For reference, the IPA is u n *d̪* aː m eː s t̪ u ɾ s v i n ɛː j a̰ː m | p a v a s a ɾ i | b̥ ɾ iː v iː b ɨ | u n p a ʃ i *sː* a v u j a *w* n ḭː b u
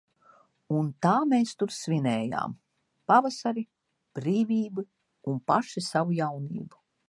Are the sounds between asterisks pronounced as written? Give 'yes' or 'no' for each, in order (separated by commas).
no, no, yes